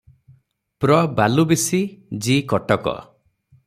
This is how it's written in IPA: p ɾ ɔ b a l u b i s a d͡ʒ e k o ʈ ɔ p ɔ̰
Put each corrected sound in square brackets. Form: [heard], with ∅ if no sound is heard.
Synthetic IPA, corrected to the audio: p ɾ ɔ b a l u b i s [i] d͡ʒ [i] k [ɔ] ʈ ɔ [k] ɔ̰